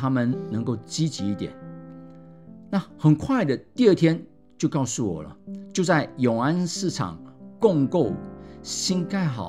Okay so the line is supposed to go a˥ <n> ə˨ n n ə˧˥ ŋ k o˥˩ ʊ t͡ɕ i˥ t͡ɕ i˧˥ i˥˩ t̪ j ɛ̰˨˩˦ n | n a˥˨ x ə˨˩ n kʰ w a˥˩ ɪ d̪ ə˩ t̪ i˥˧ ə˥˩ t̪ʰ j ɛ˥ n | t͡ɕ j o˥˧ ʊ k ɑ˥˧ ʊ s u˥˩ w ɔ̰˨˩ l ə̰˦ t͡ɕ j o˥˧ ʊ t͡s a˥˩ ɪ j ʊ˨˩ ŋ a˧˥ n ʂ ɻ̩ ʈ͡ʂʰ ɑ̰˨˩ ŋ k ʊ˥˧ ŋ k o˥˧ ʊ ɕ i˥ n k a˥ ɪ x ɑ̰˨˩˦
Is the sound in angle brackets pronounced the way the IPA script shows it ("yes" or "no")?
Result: no